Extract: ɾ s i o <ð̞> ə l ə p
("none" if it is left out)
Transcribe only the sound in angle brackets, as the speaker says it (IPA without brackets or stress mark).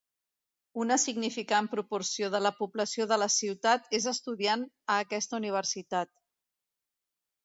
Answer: ð̞